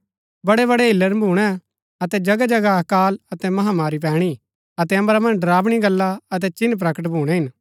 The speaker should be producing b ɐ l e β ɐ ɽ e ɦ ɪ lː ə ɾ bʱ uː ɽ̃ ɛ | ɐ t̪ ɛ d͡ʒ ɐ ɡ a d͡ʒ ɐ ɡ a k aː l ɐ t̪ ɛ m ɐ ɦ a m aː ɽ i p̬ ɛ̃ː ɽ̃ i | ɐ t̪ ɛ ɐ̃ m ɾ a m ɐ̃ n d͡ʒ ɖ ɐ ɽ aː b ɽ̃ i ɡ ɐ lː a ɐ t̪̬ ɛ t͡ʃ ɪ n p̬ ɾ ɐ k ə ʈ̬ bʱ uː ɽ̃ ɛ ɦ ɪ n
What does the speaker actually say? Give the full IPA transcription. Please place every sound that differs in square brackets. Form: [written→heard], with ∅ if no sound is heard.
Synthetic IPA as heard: b ɐ [l→ɽ] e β ɐ ɽ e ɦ ɪ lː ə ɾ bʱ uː ɽ̃ ɛ | ɐ t̪ ɛ d͡ʒ ɐ ɡ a d͡ʒ ɐ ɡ a k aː l ɐ t̪ ɛ m ɐ ɦ a m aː [ɽ→ɾ] i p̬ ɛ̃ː ɽ̃ i | ɐ t̪ ɛ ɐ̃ m ɾ a m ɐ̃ n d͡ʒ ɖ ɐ [ɽ→ɾ] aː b ɽ̃ i ɡ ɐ lː a ɐ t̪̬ ɛ t͡ʃ ɪ n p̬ ɾ ɐ k ə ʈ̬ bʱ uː ɽ̃ ɛ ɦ ɪ n